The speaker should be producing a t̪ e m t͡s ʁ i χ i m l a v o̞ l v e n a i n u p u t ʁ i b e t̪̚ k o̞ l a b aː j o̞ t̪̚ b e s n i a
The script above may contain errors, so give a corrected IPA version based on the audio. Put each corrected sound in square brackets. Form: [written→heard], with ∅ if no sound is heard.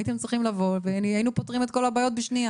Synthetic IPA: [a→i] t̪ e m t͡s ʁ i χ i m l a v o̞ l v e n a i n u p [u→o] t ʁ i [b→m] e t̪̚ k o̞ l a b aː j o̞ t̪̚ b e [s→ʃ] n i a